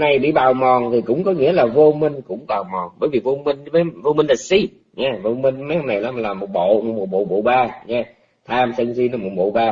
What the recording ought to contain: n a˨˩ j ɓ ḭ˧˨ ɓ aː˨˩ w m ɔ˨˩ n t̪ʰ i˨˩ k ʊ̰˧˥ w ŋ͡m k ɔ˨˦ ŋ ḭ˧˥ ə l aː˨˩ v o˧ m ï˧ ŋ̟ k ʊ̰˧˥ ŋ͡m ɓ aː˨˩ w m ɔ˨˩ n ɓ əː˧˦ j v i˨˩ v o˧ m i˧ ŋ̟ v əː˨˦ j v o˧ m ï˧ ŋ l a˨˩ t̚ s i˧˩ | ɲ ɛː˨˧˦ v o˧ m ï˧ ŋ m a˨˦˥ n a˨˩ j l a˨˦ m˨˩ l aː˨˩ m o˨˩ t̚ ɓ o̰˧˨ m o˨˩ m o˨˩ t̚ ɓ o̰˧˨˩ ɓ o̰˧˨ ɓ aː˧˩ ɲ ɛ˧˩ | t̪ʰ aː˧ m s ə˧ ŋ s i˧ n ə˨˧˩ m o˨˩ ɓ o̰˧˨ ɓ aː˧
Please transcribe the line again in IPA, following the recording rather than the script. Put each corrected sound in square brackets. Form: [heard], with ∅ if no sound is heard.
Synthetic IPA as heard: n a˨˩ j ɓ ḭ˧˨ ɓ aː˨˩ w m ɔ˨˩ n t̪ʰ i˨˩ k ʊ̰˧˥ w ŋ͡m k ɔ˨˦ ŋ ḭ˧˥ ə l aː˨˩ v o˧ m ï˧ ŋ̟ k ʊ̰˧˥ ŋ͡m ɓ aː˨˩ w m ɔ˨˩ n ɓ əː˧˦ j v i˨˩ v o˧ m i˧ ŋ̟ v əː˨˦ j v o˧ m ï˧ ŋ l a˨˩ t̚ s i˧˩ | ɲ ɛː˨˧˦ v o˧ m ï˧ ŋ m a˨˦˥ n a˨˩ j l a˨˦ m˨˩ l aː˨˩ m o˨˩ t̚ ɓ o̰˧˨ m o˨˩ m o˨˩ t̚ ɓ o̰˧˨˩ ɓ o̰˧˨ ɓ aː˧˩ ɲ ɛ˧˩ | t̪ʰ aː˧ m s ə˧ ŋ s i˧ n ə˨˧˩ m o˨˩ ɓ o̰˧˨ ɓ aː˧